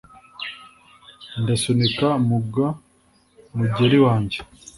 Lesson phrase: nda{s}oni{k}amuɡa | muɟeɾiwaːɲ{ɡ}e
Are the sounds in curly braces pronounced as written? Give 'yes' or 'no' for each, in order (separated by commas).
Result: yes, yes, no